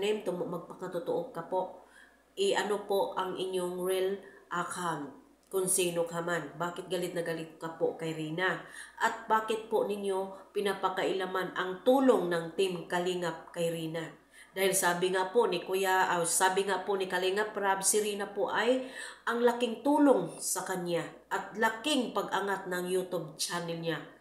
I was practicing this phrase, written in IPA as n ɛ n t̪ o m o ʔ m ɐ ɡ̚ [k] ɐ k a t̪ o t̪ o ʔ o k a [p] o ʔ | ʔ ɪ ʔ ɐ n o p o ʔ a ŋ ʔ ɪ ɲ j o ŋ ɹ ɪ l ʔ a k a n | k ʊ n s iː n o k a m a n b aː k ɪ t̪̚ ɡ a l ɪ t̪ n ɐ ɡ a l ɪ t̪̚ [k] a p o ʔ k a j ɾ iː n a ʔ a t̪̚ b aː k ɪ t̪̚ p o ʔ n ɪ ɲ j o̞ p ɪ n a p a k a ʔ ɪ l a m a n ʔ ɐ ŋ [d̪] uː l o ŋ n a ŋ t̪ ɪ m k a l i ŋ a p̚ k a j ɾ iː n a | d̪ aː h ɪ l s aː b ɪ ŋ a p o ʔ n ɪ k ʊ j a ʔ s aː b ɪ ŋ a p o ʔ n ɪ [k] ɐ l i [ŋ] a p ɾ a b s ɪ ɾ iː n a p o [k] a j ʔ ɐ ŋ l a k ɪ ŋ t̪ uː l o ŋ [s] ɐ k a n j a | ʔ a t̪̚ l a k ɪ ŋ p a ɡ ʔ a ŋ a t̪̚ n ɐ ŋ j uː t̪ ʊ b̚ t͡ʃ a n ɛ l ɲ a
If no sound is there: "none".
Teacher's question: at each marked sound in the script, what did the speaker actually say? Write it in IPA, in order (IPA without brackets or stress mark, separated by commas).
p, p, k, t̪, k, ŋ, ʔ, s